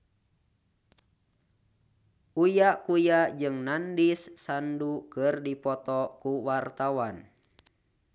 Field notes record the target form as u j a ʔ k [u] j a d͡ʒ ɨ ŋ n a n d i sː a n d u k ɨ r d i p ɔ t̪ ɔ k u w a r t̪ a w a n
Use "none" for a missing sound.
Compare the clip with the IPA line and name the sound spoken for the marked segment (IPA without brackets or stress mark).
u